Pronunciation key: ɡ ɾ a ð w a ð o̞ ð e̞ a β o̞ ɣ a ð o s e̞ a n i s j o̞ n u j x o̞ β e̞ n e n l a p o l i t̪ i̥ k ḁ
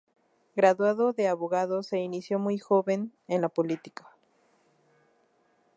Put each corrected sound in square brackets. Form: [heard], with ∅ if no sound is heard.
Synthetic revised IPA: ɡ ɾ a ð w a ð o̞ ð e̞ a β o̞ ɣ a ð o s e̞ [i] n i s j o̞ [m] u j x o̞ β e̞ n e n l a p o l i t̪ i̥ k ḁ